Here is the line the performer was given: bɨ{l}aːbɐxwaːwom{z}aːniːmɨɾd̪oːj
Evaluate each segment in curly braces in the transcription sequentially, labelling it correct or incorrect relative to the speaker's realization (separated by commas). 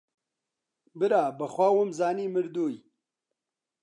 incorrect, correct